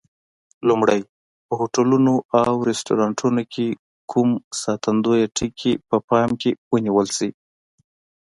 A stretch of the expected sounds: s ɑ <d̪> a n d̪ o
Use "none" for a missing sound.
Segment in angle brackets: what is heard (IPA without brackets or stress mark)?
t̪